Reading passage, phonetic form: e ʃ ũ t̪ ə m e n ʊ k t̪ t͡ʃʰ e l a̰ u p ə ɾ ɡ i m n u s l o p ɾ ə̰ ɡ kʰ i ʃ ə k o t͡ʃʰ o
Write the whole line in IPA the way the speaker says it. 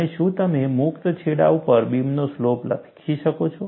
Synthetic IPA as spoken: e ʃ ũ t̪ ə m e m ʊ k t̪ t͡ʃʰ e ɽ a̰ u p ə ɾ b i m n o s l o p l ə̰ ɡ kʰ i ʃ ə k o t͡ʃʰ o